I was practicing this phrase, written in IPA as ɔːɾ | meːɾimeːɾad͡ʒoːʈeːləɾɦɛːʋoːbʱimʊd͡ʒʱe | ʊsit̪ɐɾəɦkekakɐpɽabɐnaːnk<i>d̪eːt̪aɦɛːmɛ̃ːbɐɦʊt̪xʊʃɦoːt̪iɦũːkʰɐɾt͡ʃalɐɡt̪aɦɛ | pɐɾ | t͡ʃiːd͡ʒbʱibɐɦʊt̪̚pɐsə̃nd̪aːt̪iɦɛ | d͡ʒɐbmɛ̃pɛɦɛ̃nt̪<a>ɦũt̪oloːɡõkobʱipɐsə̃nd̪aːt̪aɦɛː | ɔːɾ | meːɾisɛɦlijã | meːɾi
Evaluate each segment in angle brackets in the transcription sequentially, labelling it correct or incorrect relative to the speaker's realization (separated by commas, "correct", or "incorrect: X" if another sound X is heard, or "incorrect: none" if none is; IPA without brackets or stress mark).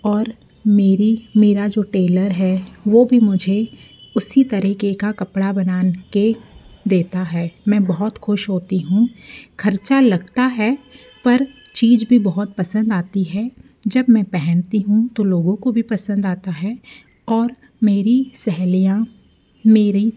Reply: incorrect: e, incorrect: i